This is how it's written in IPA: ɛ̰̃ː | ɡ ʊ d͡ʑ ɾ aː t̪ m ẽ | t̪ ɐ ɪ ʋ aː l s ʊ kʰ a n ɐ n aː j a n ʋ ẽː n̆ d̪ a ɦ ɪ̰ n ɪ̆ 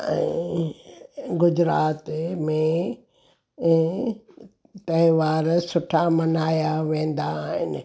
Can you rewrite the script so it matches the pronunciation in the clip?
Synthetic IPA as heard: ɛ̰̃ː | ɡ ʊ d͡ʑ ɾ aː t̪ m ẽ | t̪ ɐ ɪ ʋ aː ɾ s ʊ ʈʰ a m ɐ n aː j a ʋ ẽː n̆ d̪ a ɦ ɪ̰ n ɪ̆